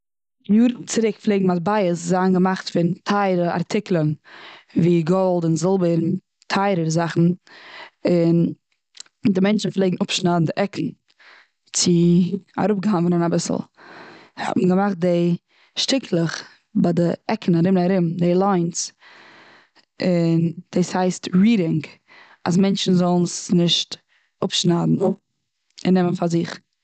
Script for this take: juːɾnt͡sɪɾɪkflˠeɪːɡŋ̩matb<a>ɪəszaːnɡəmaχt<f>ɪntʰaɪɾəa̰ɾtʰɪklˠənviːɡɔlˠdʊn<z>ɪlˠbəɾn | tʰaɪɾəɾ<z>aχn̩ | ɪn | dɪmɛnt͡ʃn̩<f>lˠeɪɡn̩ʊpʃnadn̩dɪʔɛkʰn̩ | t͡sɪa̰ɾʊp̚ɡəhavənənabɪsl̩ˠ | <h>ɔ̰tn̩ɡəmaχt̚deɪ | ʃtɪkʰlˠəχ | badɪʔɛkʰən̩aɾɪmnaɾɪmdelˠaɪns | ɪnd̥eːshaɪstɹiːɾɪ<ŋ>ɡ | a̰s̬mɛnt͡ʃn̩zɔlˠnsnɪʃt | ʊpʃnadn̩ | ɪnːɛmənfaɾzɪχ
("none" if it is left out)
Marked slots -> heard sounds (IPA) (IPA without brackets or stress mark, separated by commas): a, f, z, z, f, h, ŋ